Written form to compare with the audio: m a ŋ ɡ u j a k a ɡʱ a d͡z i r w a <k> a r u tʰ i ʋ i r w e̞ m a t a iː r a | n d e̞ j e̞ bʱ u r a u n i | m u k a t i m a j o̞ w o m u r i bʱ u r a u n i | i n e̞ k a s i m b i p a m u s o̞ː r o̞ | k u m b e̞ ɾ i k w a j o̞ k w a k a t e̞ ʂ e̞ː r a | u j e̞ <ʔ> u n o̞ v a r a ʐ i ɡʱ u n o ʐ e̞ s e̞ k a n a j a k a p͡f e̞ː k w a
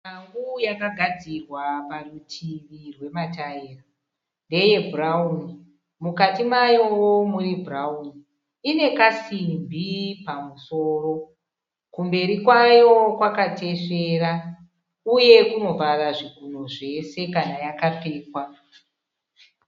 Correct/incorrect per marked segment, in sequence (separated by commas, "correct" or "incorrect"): incorrect, incorrect